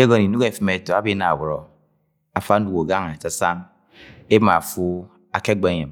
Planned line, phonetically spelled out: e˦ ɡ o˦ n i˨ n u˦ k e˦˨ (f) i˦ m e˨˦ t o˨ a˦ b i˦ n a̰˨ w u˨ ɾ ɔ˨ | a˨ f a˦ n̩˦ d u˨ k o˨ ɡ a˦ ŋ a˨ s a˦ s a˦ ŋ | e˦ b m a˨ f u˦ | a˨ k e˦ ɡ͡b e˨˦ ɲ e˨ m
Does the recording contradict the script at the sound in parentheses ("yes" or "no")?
no